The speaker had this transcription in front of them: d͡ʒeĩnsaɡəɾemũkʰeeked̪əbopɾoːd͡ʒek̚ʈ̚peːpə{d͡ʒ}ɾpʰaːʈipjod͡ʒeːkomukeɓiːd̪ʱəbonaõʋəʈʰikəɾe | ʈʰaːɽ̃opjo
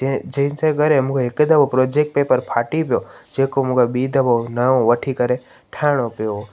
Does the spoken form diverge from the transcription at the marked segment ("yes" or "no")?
yes